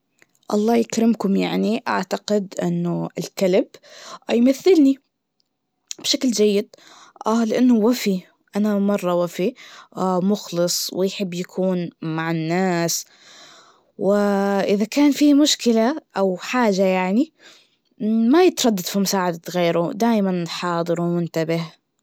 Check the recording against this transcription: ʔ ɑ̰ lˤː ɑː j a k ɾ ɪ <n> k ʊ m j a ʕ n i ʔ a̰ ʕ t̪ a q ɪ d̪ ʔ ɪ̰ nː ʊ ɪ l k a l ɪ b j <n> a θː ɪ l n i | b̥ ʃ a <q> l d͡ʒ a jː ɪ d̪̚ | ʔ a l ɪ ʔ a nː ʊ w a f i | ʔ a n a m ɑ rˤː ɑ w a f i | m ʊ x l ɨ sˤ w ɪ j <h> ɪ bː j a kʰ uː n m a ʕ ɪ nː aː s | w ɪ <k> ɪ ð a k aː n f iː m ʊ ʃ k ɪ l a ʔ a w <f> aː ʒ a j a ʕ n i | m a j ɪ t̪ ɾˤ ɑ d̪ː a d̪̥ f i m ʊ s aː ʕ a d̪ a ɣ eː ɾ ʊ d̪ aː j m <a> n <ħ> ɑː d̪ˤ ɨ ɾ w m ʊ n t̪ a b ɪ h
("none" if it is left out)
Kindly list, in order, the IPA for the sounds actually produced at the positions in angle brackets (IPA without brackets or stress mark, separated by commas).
m, m, k, ħ, ʔ, ħ, a, ħ